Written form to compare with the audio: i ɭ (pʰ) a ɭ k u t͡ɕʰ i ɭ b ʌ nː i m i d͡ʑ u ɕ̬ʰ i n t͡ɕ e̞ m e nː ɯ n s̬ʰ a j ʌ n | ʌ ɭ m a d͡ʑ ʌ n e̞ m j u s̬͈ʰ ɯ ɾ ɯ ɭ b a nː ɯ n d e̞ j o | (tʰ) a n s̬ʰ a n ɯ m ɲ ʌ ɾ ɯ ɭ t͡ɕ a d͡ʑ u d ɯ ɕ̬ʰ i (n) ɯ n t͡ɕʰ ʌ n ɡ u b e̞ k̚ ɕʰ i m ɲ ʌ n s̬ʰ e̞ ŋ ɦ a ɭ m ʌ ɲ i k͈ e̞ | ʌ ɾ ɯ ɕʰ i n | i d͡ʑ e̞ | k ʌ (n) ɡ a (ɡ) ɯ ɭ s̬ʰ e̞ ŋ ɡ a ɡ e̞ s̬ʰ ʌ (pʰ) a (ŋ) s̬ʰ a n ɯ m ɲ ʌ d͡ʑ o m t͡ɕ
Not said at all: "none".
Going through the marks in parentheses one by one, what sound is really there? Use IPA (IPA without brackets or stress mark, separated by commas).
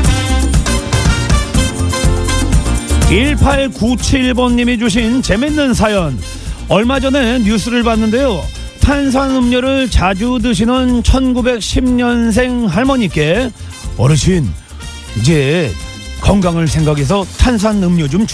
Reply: pʰ, tʰ, n, ŋ, ŋ, tʰ, n